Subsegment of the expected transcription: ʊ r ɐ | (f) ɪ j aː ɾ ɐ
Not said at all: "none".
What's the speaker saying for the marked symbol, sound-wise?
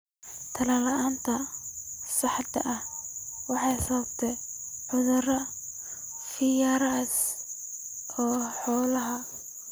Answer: f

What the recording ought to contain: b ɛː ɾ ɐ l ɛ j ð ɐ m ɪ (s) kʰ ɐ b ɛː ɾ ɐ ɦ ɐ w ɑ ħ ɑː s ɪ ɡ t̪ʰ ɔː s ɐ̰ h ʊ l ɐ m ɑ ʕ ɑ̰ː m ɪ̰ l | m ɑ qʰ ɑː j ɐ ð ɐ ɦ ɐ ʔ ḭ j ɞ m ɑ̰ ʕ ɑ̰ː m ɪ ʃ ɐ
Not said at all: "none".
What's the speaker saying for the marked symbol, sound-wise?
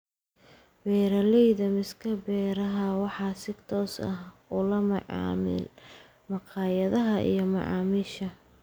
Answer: s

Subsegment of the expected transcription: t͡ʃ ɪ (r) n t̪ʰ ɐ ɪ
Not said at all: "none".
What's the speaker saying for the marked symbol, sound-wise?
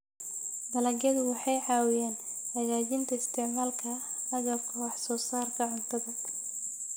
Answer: none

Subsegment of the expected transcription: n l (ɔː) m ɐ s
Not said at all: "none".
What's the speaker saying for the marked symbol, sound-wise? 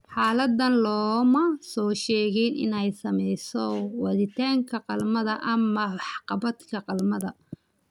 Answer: ɔː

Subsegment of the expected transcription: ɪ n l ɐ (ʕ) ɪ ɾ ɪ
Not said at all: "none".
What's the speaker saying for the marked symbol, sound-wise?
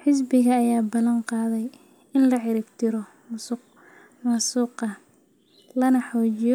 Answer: ʕ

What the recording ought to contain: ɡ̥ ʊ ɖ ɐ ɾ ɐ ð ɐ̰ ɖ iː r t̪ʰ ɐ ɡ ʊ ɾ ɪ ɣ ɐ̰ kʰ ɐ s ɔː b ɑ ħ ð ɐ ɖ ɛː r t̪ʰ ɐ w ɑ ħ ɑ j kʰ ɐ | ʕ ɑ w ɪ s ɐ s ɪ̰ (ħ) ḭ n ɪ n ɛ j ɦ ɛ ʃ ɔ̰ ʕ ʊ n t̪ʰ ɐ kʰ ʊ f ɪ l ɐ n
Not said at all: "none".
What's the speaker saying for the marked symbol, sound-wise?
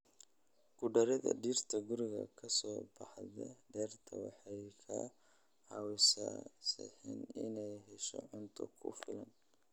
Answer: ħ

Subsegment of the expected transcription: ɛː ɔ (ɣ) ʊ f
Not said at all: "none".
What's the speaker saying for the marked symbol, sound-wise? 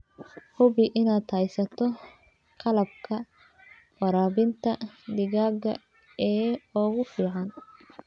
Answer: ɣ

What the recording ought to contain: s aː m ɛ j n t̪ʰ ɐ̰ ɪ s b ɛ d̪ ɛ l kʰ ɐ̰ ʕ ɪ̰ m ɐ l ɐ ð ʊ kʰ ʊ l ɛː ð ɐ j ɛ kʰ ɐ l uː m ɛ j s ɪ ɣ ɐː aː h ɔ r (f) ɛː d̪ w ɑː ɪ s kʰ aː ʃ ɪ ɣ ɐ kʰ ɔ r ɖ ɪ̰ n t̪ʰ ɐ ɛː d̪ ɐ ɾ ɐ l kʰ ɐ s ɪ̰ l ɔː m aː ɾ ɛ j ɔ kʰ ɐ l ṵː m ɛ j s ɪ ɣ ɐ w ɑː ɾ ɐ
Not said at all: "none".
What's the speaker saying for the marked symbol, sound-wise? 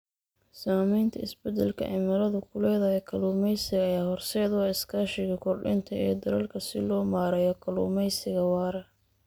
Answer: s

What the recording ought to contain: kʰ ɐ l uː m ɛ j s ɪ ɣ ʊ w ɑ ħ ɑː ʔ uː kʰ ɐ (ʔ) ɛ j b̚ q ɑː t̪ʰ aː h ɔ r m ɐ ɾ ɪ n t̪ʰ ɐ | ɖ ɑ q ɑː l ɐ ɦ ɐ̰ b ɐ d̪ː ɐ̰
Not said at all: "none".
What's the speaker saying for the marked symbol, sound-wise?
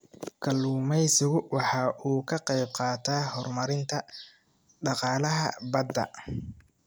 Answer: q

